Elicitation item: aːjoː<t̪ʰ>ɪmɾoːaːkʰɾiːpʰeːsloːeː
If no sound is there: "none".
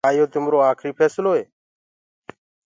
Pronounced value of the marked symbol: t̪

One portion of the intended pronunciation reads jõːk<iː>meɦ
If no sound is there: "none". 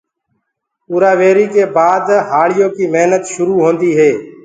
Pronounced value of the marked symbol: iː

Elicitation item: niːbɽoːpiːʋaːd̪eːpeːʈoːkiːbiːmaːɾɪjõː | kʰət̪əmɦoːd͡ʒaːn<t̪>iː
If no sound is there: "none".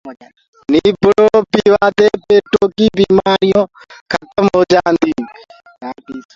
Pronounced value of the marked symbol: d̪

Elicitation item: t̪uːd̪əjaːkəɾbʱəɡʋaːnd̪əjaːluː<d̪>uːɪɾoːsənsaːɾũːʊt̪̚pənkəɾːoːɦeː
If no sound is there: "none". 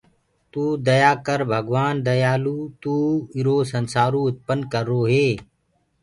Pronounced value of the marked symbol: t̪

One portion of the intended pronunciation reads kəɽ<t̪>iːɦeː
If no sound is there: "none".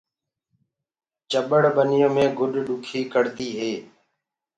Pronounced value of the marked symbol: t̪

